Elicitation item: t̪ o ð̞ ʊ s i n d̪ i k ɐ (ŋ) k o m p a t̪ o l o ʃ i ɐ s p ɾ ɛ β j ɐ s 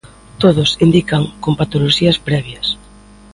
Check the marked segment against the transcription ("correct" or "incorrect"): correct